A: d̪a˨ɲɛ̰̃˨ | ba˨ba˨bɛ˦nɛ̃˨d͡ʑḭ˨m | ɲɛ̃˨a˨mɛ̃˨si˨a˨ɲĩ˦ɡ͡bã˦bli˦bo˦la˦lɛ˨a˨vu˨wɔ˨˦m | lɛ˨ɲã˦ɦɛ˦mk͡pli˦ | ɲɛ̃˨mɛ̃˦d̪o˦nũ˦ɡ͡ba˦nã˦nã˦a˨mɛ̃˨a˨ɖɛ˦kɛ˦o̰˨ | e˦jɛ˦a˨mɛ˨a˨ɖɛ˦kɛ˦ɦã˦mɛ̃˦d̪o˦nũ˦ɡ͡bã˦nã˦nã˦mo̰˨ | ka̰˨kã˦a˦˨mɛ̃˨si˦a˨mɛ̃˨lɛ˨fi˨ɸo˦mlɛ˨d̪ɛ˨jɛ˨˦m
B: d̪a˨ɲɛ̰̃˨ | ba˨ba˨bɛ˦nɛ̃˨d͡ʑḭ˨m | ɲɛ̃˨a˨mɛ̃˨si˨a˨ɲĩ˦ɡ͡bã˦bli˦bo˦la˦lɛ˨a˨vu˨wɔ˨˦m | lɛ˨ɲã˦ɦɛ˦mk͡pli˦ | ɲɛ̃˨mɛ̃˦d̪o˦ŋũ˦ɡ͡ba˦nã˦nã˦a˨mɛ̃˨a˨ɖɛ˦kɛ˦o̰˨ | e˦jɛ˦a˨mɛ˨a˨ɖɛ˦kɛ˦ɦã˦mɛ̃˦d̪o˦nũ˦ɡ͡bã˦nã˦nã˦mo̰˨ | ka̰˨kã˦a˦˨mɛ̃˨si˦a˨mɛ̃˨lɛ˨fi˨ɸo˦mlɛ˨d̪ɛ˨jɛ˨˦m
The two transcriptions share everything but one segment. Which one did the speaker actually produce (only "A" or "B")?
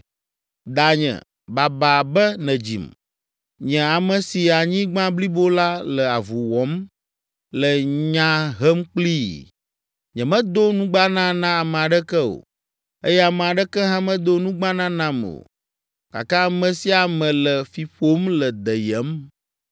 A